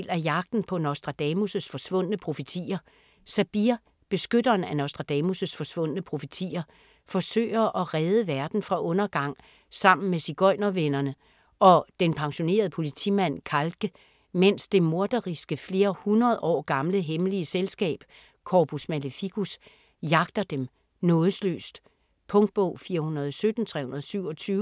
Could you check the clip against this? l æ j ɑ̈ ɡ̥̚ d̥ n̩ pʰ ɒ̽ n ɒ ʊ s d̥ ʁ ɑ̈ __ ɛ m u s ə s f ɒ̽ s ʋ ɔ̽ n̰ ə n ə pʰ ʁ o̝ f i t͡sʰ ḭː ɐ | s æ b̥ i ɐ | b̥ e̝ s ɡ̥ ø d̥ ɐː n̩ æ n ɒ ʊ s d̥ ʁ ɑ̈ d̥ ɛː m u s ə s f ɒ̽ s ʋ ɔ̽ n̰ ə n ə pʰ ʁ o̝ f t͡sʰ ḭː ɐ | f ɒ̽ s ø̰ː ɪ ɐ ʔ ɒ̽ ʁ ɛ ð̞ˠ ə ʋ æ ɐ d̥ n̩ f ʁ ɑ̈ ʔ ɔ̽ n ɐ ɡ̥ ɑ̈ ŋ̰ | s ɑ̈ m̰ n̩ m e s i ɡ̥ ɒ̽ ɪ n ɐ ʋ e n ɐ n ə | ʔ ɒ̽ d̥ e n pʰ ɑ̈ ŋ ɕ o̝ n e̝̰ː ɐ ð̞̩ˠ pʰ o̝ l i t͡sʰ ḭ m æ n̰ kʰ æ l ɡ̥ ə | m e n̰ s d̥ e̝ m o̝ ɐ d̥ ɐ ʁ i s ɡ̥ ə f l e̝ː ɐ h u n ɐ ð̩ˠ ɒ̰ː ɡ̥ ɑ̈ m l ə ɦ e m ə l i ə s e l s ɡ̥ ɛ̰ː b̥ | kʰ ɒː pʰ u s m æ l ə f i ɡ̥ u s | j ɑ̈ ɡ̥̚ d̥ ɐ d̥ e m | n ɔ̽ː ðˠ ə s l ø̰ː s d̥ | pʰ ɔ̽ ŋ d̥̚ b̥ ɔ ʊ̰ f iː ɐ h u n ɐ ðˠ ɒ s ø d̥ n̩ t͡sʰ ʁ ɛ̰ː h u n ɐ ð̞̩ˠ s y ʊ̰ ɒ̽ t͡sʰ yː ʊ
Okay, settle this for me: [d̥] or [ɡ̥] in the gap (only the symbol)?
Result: d̥